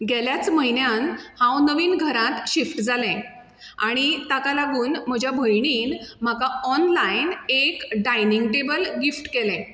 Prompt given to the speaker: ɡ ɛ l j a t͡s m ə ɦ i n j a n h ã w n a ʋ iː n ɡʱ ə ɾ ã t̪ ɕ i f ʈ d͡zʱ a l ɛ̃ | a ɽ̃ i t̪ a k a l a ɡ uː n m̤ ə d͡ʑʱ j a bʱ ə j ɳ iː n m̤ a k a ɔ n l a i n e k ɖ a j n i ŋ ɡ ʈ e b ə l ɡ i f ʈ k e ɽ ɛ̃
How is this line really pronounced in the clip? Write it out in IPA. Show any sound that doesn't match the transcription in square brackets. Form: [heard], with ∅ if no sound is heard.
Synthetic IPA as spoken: ɡ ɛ l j a t͡s m ə ɦ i n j a n h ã w n [ə] ʋ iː n ɡʱ ə ɾ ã t̪ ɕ i f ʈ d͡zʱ a l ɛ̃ | a ɽ̃ i t̪ a k a l a ɡ uː n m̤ ə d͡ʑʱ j a bʱ ə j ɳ iː n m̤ a k a ɔ n l a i n e k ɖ a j n i ŋ ɡ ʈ e b ə l ɡ i f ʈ k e [l] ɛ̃

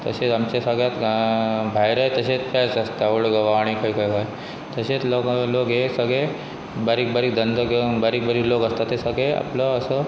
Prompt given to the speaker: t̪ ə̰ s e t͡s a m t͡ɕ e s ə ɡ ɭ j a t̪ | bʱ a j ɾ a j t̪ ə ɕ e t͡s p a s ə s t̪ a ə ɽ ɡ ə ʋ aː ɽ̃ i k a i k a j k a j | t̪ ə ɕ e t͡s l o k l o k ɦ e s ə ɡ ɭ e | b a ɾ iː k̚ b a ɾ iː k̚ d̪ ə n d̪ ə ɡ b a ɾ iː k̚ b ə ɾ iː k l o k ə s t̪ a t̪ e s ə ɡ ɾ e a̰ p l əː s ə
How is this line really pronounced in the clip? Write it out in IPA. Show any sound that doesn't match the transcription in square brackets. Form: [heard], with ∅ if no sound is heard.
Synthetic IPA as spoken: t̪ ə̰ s e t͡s a m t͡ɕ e s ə ɡ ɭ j a t̪ | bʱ a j ɾ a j t̪ ə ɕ e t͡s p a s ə s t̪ a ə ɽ ɡ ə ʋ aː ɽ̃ i k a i k a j k a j | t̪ ə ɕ e t͡s l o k l o k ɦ e s ə ɡ ɭ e | b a ɾ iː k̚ b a ɾ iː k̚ d̪ ə n d̪ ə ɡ b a ɾ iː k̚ b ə ɾ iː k l o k ə s t̪ a t̪ e s ə ɡ [ɭ] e a̰ p l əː s ə

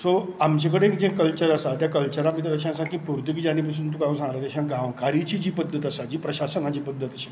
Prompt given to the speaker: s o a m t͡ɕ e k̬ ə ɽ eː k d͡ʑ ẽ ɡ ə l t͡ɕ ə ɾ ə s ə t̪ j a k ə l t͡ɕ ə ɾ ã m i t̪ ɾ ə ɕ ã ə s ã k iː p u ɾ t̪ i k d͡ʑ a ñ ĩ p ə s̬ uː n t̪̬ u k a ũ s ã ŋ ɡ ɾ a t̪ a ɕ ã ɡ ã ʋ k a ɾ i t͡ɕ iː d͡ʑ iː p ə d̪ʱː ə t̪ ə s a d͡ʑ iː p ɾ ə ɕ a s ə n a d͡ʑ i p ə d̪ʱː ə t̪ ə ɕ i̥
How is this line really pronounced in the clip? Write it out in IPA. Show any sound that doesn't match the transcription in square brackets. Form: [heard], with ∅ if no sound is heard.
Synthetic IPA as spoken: s o a m t͡ɕ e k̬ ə ɽ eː k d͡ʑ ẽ [k] ə l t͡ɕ ə ɾ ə s [a] t̪ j a k ə l t͡ɕ ə ɾ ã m i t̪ ɾ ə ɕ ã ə s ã k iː p u ɾ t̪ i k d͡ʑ a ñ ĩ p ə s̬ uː n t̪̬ u k a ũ s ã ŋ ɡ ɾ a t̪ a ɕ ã ɡ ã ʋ k a ɾ i t͡ɕ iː d͡ʑ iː p ə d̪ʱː ə t̪ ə s a d͡ʑ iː p ɾ ə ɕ a s ə n a d͡ʑ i p ə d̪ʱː ə t̪ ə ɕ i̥

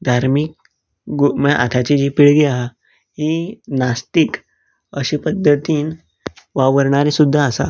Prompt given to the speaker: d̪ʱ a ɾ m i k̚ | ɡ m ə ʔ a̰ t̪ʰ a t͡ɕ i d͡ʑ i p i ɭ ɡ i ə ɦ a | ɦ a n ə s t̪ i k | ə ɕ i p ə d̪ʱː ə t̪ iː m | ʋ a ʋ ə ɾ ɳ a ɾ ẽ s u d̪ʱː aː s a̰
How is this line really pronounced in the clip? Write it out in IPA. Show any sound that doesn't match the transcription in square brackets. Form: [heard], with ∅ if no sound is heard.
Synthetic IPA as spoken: d̪ʱ a ɾ m i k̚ | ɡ m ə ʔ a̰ t̪ʰ a t͡ɕ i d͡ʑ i p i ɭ ɡ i [a] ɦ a | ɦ [i] n [a] s t̪ i k | ə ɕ i p ə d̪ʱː ə t̪ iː [n] | ʋ a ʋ ə ɾ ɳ a ɾ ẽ s u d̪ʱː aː s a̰

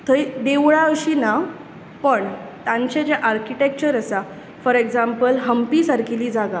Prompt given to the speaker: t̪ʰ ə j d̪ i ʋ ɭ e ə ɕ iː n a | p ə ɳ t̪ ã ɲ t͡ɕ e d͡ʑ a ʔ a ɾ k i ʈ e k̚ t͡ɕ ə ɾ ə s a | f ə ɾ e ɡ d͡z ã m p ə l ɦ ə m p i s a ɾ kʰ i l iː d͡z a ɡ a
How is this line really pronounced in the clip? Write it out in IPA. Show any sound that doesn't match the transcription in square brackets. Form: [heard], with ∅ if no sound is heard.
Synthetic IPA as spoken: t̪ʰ ə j d̪ [e] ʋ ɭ [a] ə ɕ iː n a | p ə ɳ t̪ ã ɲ t͡ɕ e d͡ʑ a ʔ a ɾ k i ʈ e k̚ t͡ɕ ə ɾ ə s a | f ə ɾ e ɡ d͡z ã m p ə l ɦ ə m p i s a ɾ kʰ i l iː d͡z a ɡ a

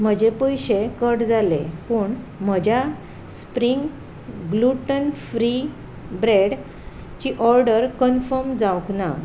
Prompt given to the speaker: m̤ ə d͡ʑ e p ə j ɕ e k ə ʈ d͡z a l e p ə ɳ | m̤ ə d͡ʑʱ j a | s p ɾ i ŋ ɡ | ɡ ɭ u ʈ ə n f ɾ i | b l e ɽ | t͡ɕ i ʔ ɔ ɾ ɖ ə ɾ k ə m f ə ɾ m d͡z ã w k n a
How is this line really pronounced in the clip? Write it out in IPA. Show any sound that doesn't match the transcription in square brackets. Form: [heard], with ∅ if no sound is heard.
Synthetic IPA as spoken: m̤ ə d͡ʑ e p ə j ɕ e k ə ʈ d͡z a l e p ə ɳ | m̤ ə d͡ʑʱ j a | s p ɾ i ŋ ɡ | ɡ [l] u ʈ ə n f ɾ i | b [ɾ] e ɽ | t͡ɕ i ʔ ɔ ɾ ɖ ə ɾ k ə [n] f ə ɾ m d͡z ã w k n a

